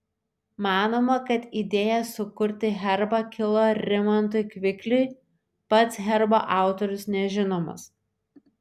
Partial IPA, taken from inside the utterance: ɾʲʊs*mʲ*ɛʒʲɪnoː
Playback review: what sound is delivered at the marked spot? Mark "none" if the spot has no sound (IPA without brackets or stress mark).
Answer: nʲ